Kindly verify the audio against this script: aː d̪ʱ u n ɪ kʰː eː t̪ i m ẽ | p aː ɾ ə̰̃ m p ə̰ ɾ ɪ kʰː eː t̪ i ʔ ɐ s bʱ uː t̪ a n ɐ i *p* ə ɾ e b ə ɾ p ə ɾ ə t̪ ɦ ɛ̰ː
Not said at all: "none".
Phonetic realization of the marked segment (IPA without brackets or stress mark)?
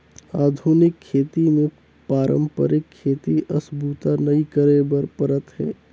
k